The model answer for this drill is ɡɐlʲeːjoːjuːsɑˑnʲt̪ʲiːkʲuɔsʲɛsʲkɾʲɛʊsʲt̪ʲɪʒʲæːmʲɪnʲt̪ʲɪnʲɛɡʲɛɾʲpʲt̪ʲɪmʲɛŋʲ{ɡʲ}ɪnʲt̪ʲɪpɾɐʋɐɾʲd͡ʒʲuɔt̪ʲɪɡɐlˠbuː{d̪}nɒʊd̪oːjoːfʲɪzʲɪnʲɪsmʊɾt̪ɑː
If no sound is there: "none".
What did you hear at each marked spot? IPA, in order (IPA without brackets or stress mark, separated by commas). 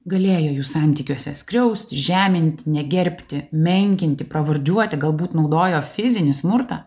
kʲ, t̪